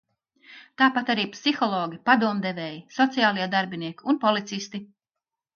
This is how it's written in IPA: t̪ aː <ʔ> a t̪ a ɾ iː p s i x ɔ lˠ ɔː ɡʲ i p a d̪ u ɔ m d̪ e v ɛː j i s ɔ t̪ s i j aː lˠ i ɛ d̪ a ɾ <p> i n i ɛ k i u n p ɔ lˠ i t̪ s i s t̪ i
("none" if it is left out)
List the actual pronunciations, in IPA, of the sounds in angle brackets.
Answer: p, b

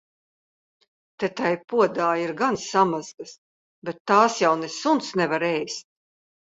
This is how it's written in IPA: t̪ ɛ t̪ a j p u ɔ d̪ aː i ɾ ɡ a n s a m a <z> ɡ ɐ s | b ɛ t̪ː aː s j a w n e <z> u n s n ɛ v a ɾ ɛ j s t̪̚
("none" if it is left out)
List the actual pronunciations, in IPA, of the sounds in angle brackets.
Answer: z, s

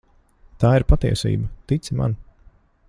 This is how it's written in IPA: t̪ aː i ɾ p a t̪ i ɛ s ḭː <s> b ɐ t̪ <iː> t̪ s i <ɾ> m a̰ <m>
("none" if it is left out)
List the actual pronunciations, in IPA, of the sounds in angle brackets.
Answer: none, i, none, n

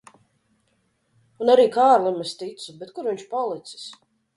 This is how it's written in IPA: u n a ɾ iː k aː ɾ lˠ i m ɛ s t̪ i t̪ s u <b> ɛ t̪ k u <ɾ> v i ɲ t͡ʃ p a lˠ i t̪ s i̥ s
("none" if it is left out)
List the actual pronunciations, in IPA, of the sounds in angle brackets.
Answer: b, ɾ

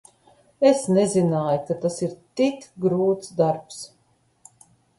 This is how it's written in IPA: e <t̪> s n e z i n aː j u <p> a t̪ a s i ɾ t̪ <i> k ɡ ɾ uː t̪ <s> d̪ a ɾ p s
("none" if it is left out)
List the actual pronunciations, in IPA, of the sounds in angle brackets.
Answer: none, k, i, s

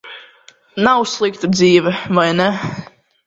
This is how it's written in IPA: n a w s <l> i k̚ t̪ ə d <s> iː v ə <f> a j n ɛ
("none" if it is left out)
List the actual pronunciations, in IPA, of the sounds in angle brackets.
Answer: l, z, v

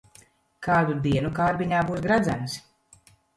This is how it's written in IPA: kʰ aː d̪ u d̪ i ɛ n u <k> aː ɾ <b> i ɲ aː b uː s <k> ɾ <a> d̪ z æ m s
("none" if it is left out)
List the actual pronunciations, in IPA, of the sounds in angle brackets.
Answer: k, b, ɡ, a

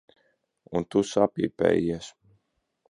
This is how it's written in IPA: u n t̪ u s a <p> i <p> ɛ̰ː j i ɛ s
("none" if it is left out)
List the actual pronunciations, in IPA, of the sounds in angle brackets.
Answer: p, p

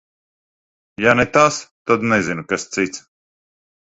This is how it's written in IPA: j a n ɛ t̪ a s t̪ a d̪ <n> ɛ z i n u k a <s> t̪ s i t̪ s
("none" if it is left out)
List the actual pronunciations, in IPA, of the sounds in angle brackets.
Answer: n, s

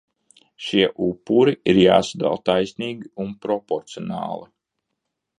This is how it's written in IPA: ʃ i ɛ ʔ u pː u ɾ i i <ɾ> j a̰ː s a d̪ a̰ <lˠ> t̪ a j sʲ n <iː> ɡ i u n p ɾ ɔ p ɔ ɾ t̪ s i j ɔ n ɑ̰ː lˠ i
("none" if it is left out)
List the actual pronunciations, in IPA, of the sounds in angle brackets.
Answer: ɾ, lˠ, iː

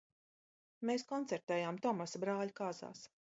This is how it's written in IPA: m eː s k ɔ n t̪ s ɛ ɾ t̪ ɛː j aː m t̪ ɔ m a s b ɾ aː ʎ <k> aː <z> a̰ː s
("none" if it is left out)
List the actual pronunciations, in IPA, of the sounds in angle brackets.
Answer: k, z

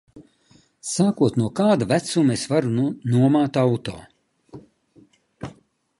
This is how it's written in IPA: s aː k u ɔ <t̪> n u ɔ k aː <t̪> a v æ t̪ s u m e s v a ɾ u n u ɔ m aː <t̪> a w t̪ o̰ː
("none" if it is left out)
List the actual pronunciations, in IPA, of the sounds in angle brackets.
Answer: t̪, d̪, t̪

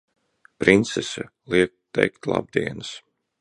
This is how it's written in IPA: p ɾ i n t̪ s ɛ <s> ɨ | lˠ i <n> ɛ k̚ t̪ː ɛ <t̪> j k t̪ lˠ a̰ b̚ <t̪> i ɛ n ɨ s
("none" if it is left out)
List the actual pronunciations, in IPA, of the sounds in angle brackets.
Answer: s, none, none, d̪

